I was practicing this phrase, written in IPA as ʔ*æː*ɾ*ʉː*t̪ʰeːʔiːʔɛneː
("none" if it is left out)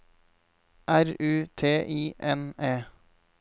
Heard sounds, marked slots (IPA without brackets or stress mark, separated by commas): æ, ʉː